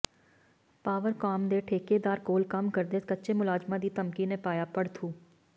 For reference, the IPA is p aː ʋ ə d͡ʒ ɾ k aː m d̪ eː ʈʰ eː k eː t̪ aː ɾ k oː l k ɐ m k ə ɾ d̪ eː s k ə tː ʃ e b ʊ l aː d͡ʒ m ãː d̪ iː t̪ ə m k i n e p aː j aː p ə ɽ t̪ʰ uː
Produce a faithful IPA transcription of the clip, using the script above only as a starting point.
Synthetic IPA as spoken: p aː ʋ ə ɾ k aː m d̪ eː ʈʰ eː k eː d̪ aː ɾ k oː l k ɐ m k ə ɾ d̪ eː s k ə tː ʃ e m ʊ l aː d͡ʒ m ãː d̪ iː t̪ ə m k i n e p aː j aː p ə ɽ t̪ʰ uː